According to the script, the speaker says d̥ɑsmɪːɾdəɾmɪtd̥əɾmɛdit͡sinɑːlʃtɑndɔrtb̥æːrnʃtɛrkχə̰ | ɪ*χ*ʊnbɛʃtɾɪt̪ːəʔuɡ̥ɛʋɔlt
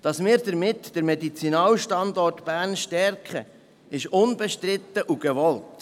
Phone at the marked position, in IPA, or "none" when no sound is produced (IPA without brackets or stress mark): ʃ